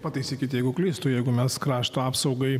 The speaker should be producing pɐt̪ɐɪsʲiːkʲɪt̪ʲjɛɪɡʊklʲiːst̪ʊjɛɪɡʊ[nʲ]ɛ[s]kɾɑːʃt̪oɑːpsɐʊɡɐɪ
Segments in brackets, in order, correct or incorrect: incorrect, correct

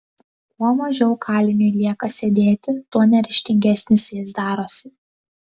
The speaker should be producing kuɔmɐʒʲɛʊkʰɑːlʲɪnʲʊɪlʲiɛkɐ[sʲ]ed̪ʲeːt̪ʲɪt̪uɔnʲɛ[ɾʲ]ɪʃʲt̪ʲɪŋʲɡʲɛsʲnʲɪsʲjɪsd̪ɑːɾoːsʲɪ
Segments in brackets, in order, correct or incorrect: correct, correct

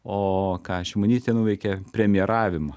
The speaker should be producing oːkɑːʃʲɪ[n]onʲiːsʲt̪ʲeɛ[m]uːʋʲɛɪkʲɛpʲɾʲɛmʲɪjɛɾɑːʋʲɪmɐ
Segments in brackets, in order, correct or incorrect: incorrect, incorrect

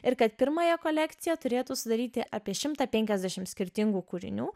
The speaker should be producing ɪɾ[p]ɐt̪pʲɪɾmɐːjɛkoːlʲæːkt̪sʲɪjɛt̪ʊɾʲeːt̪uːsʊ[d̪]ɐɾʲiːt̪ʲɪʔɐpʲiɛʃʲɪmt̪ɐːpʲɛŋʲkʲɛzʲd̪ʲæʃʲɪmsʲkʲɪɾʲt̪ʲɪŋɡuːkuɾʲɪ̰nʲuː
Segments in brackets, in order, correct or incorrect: incorrect, correct

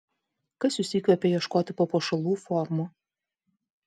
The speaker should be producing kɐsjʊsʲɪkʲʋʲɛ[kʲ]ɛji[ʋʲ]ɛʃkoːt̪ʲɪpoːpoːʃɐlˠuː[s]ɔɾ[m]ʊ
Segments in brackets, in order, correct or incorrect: incorrect, incorrect, incorrect, correct

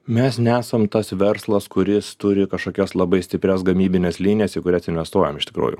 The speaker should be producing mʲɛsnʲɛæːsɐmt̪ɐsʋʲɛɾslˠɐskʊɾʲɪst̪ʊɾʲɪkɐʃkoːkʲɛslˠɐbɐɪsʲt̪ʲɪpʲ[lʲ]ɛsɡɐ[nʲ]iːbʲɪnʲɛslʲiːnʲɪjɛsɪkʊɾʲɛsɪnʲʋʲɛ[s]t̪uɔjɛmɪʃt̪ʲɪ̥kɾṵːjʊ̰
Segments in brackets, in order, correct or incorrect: incorrect, incorrect, correct

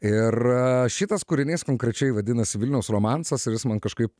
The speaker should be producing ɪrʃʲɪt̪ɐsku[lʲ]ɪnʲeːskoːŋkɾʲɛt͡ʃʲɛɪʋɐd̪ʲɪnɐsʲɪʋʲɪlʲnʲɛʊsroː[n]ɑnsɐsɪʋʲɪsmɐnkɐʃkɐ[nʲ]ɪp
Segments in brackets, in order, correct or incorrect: incorrect, incorrect, incorrect

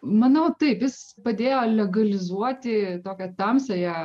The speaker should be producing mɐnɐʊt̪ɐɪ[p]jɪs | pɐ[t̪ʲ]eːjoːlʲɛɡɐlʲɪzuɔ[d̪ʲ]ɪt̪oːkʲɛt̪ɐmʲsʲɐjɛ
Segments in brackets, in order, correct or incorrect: correct, incorrect, incorrect

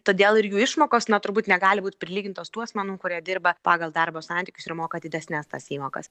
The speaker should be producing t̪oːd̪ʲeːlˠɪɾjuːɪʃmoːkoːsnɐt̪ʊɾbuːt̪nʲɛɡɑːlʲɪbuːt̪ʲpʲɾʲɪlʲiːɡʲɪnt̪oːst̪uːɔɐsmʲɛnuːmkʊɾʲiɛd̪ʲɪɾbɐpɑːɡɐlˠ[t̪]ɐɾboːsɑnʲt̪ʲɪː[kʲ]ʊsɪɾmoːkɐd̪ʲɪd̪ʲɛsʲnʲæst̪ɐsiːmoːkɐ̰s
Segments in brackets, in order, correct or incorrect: incorrect, correct

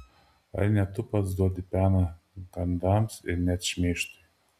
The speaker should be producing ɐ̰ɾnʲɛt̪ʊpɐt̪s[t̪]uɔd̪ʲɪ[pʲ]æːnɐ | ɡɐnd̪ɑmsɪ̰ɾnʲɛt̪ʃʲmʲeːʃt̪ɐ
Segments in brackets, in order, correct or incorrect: incorrect, correct

